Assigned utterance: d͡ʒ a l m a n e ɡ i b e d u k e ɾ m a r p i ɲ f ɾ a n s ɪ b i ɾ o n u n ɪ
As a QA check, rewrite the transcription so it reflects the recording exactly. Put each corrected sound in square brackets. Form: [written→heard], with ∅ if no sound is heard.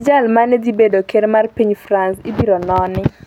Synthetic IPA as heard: d͡ʒ a l m a n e [ɡ→d] i b e d [u→o] k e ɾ m a r p i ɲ f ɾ a n s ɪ b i ɾ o n [u→ɔ] n ɪ